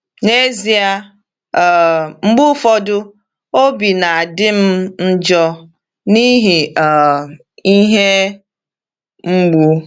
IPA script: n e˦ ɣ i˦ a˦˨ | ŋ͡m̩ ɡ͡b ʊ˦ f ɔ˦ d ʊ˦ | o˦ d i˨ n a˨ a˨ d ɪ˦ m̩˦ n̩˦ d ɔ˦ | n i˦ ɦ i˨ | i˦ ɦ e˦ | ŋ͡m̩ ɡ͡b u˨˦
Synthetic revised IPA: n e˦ z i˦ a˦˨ | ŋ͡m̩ ɡ͡b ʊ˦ f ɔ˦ d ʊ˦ | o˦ b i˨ n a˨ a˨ d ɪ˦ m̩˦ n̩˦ d͡ʒ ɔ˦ | n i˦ ɦ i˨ | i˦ ɦ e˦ | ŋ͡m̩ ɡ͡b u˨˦